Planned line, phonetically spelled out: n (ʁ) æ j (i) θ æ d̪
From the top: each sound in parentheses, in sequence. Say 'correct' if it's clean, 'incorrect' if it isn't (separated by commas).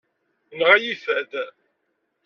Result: correct, correct